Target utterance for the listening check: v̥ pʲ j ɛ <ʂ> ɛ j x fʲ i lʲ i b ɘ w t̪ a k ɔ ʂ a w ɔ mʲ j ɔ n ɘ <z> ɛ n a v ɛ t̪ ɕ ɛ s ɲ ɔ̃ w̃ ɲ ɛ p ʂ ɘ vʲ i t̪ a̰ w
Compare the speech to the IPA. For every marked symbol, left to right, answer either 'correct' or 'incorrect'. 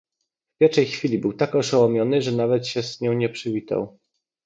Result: correct, incorrect

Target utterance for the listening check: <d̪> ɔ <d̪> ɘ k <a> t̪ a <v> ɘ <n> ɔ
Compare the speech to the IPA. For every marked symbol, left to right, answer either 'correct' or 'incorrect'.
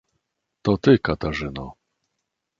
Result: incorrect, incorrect, correct, incorrect, correct

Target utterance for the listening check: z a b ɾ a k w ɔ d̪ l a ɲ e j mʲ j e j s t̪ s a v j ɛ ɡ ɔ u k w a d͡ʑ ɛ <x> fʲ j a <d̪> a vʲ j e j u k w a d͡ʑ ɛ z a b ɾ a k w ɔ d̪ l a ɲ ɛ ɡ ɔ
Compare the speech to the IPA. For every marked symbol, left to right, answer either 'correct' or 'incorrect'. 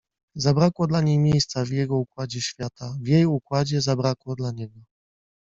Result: incorrect, incorrect

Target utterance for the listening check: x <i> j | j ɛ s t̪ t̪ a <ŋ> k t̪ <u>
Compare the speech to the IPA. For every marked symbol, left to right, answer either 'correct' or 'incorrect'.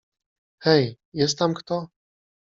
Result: incorrect, incorrect, incorrect

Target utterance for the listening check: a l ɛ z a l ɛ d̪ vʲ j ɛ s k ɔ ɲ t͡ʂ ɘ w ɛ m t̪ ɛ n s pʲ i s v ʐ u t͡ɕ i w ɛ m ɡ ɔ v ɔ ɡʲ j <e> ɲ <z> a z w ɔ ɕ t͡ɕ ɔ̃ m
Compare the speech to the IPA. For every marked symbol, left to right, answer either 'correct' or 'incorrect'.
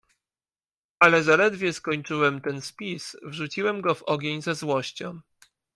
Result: correct, correct

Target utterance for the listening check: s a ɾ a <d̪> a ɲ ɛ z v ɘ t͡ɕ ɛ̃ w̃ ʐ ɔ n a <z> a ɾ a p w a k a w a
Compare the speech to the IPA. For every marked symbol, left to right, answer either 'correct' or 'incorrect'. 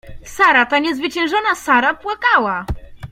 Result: incorrect, incorrect

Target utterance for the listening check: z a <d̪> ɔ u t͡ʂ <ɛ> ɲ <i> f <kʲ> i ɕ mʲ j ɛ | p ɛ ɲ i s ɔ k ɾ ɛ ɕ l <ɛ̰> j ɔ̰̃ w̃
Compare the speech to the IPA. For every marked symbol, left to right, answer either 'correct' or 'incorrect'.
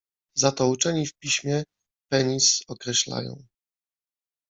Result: incorrect, correct, correct, incorrect, incorrect

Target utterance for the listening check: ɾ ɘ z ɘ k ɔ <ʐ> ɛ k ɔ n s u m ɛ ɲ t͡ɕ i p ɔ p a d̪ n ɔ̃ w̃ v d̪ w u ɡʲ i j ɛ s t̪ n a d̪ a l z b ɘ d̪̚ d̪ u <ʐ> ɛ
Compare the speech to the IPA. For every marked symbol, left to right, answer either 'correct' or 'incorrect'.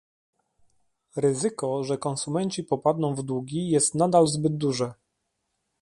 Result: correct, correct

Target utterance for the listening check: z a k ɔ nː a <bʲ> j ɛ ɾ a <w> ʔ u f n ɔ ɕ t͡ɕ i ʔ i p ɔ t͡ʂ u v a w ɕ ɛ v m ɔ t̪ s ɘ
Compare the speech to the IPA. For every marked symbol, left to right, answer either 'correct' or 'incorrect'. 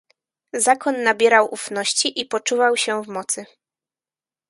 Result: correct, correct

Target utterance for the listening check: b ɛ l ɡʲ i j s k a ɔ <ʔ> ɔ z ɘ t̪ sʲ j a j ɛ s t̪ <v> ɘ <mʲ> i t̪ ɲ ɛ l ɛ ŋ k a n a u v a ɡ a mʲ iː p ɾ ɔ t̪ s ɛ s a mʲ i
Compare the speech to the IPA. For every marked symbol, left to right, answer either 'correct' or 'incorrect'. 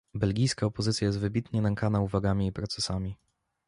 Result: incorrect, correct, incorrect

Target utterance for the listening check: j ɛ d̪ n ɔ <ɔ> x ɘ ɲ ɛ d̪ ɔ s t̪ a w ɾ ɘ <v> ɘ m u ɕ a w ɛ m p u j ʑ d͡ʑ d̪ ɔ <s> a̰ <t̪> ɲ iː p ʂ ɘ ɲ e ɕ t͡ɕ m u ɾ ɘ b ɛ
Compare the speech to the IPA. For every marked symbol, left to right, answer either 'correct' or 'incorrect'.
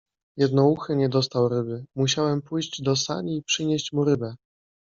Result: incorrect, incorrect, correct, incorrect

